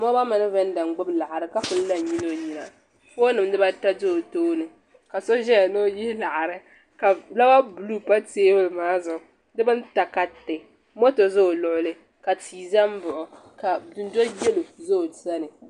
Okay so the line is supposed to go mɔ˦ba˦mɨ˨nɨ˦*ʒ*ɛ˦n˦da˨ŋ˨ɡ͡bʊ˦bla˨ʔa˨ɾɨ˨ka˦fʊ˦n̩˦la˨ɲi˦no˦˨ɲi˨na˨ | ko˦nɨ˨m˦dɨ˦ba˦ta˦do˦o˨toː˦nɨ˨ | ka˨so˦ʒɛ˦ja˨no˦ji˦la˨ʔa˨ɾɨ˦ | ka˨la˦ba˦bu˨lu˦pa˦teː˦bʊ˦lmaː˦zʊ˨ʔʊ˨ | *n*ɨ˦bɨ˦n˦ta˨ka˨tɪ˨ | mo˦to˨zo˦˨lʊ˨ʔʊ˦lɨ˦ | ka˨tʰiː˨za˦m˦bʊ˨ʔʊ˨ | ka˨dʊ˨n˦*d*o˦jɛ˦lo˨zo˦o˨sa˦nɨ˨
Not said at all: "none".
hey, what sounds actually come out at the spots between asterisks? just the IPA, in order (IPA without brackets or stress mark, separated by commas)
v, d, d